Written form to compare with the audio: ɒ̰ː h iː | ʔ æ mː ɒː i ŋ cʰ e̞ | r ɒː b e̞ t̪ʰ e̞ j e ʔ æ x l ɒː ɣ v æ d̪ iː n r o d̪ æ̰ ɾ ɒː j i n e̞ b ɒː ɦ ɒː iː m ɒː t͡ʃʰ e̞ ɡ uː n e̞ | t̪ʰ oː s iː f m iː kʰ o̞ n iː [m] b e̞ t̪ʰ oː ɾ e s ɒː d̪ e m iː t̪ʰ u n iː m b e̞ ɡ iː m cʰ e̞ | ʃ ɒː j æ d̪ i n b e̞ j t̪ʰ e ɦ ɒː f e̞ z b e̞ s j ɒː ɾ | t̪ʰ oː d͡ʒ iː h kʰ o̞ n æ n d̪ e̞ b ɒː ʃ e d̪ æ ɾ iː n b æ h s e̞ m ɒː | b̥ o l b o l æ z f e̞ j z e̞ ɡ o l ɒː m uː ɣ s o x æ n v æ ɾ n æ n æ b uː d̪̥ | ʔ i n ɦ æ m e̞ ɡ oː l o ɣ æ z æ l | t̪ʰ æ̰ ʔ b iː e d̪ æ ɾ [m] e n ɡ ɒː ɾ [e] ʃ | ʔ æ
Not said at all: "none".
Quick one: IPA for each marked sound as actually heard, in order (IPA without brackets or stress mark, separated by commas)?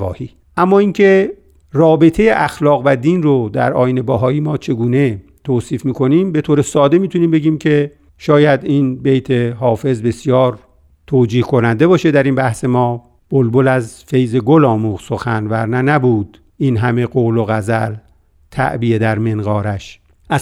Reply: m, m, æ